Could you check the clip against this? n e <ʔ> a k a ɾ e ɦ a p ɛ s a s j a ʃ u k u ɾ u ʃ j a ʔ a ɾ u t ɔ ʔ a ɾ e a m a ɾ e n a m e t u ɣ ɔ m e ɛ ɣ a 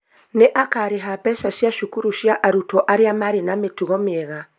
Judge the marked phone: correct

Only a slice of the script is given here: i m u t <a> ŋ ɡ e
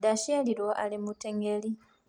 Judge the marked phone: incorrect: e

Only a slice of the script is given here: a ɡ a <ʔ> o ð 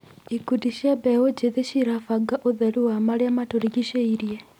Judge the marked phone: correct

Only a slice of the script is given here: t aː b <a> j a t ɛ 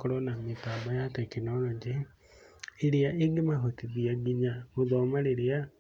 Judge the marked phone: correct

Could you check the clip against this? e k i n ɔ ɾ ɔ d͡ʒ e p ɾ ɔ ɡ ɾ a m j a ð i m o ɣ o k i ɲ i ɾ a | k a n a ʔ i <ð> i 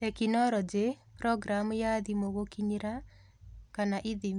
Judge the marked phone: correct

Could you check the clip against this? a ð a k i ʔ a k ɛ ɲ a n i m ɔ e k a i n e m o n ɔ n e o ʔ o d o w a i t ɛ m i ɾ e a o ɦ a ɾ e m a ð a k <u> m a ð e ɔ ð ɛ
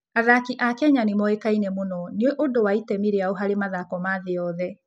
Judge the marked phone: incorrect: ɔ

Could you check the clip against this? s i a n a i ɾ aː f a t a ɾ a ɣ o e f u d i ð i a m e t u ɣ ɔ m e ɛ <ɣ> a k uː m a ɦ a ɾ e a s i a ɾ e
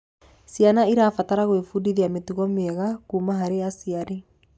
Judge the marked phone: correct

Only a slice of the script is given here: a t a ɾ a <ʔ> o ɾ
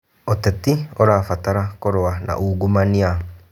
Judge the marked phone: incorrect: k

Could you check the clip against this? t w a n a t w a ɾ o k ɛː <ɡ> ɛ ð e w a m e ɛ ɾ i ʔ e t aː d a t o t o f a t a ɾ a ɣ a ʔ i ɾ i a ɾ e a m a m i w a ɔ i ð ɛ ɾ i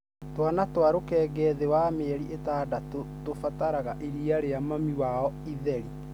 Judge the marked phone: correct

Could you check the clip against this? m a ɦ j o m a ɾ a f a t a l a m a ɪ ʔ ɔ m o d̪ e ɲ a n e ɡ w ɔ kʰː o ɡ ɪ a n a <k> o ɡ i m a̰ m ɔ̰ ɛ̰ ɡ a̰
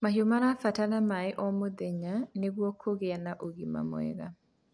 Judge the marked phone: incorrect: ʔ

